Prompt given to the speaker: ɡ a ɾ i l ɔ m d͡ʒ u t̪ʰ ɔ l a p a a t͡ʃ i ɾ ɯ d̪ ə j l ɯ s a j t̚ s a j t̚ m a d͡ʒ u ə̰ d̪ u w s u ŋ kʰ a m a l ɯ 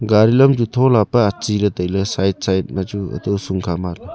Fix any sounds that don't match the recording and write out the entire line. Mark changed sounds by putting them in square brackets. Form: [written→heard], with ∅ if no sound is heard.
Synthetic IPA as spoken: ɡ a ɾ i l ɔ m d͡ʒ u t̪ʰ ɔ l a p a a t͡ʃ i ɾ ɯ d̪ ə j l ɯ s a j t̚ s a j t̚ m a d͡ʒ u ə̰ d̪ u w s u ŋ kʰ a m a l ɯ